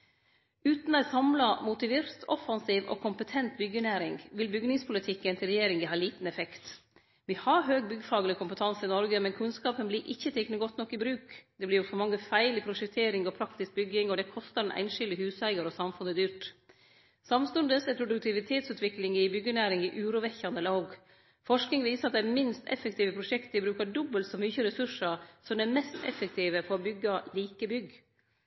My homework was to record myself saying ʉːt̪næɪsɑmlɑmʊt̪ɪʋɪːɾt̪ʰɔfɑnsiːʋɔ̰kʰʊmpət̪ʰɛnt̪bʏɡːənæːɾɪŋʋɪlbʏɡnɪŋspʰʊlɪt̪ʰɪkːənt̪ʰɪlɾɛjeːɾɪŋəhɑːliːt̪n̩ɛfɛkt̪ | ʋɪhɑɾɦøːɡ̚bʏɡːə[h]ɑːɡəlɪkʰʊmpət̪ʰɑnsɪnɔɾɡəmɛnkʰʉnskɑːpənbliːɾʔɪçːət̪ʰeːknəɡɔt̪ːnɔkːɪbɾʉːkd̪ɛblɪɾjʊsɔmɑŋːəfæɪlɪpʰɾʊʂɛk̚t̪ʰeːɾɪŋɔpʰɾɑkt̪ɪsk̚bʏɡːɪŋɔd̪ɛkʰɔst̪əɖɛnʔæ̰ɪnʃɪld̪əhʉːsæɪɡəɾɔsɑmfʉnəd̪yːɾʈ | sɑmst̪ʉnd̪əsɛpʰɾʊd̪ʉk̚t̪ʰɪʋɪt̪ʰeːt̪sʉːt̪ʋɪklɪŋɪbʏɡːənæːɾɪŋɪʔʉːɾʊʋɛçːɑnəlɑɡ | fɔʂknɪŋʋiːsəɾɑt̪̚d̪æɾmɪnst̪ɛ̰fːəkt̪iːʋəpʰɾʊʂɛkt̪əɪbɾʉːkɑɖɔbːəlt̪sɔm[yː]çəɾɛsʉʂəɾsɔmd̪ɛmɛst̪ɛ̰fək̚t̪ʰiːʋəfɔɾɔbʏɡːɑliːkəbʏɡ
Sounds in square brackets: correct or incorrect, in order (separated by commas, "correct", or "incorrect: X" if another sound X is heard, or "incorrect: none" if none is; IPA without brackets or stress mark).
incorrect: f, correct